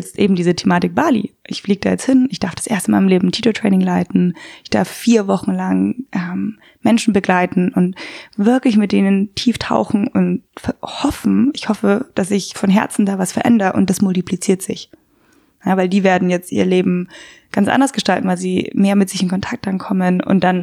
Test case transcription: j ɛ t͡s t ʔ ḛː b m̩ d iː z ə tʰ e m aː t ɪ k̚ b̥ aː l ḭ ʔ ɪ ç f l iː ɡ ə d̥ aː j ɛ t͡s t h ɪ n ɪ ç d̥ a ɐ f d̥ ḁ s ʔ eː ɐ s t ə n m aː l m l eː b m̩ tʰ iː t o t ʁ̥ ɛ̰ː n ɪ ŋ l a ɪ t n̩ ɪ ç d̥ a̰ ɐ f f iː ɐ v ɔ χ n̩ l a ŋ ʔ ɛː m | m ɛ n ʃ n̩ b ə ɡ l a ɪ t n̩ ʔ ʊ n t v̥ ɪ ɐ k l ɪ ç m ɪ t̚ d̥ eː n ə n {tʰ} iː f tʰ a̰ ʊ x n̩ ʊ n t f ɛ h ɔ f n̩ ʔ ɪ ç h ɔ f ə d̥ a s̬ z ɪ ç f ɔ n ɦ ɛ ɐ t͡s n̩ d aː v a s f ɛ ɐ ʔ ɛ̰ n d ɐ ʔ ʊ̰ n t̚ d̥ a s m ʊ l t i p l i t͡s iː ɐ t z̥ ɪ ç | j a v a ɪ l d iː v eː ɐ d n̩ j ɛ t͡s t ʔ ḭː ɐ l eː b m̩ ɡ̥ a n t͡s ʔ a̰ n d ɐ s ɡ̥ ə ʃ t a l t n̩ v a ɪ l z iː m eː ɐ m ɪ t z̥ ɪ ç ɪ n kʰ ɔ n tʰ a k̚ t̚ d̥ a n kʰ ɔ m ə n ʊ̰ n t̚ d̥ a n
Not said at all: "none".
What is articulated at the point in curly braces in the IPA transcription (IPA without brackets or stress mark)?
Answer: tʰ